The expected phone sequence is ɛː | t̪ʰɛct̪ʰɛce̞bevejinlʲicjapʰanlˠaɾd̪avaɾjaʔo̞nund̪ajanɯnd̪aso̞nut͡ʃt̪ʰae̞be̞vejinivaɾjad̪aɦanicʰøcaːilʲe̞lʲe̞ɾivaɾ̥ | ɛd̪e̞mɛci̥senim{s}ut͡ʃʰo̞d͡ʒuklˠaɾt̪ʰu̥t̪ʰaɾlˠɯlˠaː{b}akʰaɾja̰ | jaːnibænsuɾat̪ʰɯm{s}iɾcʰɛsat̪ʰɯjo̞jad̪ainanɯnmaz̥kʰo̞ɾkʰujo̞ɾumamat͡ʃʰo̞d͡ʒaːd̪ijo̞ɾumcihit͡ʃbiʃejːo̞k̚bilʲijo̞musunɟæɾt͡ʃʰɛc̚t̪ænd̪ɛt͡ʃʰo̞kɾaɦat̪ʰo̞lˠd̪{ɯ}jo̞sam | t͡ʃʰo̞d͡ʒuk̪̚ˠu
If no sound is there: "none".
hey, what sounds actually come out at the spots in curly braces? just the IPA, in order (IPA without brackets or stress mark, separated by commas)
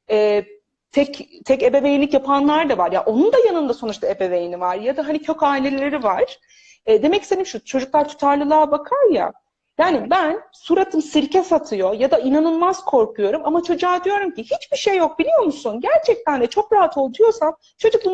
ʃ, b, s, u